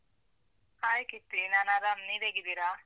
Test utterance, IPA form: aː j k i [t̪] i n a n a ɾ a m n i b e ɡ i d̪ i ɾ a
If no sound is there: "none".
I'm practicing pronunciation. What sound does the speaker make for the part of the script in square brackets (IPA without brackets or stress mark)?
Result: t̪